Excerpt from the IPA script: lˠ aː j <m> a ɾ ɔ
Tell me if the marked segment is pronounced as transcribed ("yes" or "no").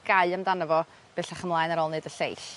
no